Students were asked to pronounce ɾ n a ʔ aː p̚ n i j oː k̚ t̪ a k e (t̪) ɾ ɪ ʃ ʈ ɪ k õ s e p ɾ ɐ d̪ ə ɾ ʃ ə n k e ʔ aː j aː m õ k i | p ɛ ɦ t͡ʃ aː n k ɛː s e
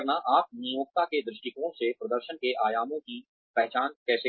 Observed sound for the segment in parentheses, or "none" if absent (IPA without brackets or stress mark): d̪